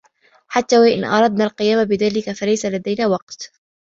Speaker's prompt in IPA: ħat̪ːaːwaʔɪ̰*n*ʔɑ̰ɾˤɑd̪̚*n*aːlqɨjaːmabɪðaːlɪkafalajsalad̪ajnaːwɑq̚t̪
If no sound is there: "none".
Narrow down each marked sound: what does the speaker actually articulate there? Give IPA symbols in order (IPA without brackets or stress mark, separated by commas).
n, n